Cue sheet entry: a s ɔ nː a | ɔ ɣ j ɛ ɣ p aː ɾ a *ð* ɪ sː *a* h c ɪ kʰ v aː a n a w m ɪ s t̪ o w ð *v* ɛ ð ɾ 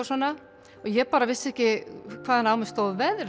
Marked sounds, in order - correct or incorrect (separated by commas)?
incorrect, incorrect, correct